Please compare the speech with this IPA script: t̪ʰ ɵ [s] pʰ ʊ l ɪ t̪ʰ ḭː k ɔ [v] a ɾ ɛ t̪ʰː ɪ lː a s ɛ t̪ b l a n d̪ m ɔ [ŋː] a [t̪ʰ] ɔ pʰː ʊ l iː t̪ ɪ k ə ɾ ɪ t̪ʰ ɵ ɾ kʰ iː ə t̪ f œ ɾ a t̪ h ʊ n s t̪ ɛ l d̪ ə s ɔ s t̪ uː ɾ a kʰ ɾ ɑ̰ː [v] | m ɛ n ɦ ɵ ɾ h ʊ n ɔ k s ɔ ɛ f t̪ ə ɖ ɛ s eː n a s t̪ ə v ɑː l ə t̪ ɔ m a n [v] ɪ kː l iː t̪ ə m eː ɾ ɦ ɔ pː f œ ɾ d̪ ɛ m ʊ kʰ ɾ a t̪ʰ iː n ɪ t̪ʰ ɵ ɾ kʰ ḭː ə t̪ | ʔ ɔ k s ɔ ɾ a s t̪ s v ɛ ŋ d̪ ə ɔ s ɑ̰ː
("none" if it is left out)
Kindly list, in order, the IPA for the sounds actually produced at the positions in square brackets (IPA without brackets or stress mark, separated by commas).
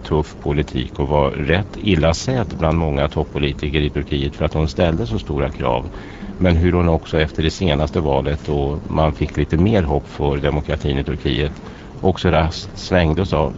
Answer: f, v, ŋː, t̪ʰ, v, f